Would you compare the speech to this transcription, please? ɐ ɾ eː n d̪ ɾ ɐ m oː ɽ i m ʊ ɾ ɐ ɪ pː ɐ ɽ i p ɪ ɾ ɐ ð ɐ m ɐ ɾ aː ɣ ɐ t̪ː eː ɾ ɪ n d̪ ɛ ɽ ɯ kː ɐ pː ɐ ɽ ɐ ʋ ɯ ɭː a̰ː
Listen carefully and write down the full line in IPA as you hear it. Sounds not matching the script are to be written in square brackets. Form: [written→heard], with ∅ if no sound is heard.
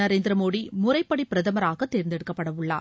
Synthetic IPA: ɐ ɾ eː n d̪ ɾ ɐ m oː ɽ i m ʊ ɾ ɐ ɪ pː ɐ ɽ i p ɪ ɾ ɐ ð ɐ m ɐ ɾ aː ɣ ɐ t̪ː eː ɾ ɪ n d̪ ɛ ɽ ɯ kː ɐ pː ɐ ɽ ɐ ʋ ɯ ɭː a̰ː